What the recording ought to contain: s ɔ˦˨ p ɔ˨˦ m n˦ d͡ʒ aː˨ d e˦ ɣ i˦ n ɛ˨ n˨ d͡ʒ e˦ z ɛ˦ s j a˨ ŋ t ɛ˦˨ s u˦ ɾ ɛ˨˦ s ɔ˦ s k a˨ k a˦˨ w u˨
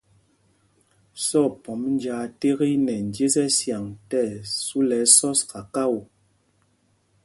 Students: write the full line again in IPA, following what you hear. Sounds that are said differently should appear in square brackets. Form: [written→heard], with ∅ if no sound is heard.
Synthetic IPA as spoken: s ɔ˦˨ p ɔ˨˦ m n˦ d͡ʒ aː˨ [d→t] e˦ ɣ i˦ n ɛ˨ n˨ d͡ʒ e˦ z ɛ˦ s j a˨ ŋ t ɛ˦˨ s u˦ [ɾ→l] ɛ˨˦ s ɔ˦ s k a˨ k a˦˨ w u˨